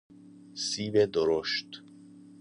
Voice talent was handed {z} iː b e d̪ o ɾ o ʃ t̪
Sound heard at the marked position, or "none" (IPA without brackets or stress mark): s